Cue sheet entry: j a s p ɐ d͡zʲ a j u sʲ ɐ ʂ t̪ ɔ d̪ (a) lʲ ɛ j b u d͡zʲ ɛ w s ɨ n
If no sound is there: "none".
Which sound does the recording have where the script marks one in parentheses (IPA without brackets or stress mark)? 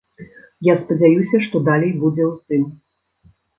a